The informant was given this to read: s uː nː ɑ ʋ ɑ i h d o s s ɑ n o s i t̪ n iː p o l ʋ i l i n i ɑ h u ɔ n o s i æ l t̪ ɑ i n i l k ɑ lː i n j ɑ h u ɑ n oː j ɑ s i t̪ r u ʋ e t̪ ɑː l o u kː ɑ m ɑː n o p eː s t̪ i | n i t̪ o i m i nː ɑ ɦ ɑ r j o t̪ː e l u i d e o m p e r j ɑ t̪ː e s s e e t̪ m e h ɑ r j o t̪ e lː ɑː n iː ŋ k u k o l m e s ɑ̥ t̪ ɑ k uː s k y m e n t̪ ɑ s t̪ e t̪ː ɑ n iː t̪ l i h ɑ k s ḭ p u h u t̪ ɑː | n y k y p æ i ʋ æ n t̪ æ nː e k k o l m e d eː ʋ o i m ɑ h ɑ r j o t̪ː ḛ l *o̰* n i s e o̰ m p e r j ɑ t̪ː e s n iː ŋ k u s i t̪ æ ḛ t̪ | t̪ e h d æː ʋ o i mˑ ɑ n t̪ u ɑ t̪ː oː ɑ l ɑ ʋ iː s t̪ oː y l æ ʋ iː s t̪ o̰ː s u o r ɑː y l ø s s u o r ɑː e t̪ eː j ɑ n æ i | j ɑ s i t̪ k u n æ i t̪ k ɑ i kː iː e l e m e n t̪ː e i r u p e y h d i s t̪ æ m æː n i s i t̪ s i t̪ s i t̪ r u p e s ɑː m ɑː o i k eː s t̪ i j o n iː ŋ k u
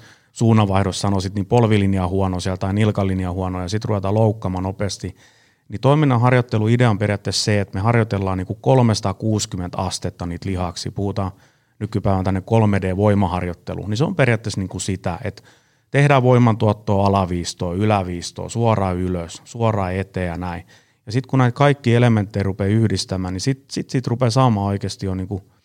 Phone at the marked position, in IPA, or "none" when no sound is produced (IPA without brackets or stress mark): ṵ